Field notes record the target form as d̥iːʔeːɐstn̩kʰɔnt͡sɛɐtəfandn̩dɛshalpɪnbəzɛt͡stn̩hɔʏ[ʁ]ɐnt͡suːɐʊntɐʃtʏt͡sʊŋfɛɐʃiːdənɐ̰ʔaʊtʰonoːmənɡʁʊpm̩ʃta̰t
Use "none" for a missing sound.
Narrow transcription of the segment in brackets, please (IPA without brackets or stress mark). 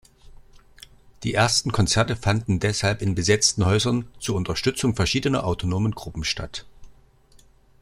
z